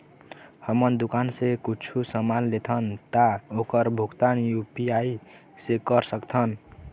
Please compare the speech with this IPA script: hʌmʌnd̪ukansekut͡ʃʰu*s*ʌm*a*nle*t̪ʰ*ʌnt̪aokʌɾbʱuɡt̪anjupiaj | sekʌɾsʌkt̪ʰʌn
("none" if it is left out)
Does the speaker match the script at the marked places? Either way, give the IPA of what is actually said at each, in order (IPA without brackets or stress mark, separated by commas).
s, a, t̪ʰ